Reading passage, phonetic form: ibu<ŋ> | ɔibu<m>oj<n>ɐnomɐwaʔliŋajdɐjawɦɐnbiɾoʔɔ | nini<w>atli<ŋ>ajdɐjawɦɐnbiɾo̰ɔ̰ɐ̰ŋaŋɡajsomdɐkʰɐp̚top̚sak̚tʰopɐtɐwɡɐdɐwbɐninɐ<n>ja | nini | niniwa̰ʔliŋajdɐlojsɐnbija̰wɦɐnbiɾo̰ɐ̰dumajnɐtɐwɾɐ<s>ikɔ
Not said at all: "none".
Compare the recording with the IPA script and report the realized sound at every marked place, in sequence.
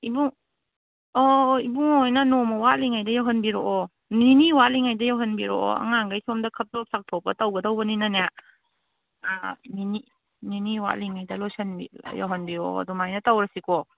ŋ, ŋ, n, w, ŋ, n, s

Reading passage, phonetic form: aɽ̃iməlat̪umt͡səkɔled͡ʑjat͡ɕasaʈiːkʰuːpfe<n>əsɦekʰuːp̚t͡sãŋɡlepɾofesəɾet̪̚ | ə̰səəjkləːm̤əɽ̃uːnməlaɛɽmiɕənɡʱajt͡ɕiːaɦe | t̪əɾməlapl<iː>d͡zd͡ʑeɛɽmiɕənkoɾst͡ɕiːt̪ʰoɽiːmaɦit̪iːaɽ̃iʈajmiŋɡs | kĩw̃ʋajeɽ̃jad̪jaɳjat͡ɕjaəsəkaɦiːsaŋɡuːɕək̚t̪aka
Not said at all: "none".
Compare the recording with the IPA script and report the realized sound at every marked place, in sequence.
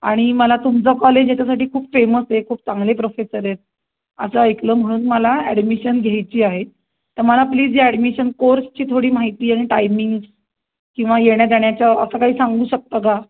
m, iː

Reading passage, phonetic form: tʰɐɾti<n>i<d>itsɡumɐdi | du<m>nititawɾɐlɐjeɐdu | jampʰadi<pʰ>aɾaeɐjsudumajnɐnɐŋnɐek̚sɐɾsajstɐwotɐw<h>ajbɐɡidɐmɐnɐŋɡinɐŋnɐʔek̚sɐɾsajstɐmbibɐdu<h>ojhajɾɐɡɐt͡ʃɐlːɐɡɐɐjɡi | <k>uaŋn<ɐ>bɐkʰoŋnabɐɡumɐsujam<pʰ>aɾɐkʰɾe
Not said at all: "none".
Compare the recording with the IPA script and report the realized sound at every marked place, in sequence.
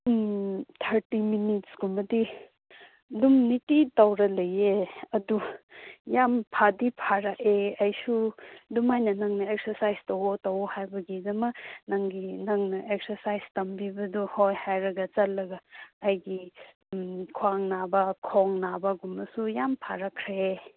m, n, m, pʰ, h, h, kʰ, a, pʰ

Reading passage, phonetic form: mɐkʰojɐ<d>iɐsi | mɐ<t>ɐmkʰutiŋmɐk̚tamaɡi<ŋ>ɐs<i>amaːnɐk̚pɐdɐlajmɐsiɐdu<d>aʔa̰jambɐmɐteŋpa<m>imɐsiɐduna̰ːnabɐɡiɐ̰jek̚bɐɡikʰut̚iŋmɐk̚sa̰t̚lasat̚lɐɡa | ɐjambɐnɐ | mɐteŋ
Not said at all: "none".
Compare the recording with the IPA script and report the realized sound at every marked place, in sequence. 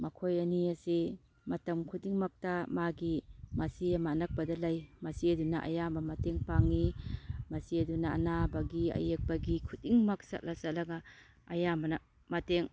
n, t, m, i, n, ŋ

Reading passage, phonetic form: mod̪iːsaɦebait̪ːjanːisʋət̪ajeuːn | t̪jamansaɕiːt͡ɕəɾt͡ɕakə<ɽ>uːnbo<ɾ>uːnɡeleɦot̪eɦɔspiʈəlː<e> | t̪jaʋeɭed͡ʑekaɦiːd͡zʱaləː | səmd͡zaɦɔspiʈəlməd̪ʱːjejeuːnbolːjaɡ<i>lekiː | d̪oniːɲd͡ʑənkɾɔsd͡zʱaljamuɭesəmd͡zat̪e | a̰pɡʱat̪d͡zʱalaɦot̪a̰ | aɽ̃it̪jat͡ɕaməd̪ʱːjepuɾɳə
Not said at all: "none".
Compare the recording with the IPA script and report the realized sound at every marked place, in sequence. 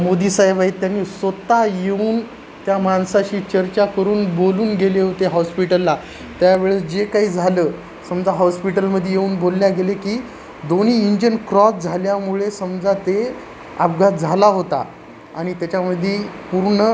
ɾ, l, a, e

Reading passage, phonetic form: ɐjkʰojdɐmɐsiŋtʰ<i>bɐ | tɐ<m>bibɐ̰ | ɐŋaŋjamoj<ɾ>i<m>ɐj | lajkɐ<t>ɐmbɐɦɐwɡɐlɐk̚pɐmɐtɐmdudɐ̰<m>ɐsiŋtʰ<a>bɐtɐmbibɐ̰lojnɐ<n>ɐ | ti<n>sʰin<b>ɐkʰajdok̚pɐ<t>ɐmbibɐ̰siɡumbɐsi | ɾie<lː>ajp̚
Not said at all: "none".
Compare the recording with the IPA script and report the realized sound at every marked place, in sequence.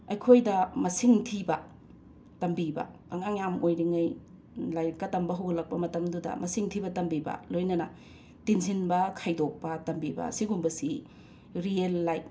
i, m, ɾ, ŋ, t, m, i, n, n, b, t, lː

